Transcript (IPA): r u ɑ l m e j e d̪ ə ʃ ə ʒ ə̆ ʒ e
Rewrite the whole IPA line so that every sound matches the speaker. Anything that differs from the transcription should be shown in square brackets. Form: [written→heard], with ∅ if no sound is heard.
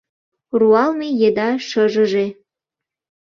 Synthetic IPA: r u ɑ l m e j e d̪ [ə→ɑ] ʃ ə ʒ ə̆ ʒ e